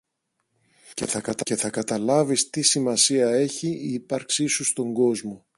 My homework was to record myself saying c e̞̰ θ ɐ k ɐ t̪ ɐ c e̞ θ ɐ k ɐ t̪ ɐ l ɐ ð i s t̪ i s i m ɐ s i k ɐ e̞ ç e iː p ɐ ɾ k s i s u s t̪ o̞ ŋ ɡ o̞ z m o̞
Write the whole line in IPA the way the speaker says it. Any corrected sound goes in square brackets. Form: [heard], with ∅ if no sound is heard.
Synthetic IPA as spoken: c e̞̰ θ ɐ k ɐ t̪ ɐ c e̞ θ ɐ k ɐ t̪ ɐ l ɐ [v] i s t̪ i s i m ɐ s i [∅] ɐ e̞ ç [i] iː p ɐ ɾ k s i s u s t̪ o̞ ŋ ɡ o̞ z m o̞